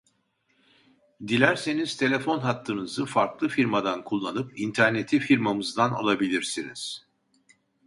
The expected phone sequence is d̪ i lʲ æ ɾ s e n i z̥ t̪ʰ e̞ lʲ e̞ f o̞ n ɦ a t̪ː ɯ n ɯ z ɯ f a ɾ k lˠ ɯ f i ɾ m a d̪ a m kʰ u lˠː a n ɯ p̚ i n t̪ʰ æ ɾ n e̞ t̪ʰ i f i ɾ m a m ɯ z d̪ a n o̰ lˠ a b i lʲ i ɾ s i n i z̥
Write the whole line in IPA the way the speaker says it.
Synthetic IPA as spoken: d̪ i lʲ æ ɾ s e n i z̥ t̪ʰ e̞ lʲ e̞ f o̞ n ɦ a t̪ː ɯ n ɯ z ɯ f a ɾ k lˠ ɯ f i ɾ m a d̪ a n kʰ u lˠː a n ɯ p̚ i n t̪ʰ æ ɾ n e̞ t̪ʰ i f i ɾ m a m ɯ z d̪ a n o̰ lˠ a b i lʲ i ɾ s i n i z̥